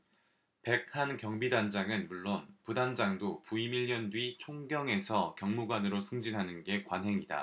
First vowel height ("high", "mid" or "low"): mid